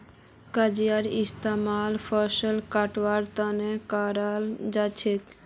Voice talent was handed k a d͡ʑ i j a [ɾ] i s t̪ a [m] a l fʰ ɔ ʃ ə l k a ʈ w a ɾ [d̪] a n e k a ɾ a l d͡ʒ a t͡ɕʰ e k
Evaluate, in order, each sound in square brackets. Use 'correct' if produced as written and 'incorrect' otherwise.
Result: correct, correct, incorrect: t̪

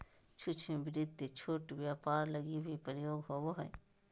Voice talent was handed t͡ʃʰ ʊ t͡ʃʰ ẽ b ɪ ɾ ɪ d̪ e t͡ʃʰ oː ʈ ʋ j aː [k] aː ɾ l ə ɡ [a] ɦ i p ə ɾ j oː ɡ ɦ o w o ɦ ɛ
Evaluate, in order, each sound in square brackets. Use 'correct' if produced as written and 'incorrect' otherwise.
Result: incorrect: p, incorrect: i

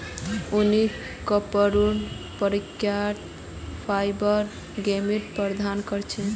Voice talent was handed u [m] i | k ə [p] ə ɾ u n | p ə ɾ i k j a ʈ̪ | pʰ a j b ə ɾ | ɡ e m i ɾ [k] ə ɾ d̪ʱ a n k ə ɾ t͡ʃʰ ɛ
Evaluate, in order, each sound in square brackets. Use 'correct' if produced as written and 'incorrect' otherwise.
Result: incorrect: n, correct, incorrect: p

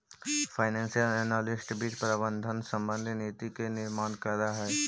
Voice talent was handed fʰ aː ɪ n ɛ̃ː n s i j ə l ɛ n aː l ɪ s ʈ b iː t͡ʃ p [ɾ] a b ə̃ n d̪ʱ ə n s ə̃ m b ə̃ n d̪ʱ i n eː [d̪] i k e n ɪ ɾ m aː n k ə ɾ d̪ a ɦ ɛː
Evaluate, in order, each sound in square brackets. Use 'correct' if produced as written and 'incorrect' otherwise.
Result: correct, incorrect: t̪

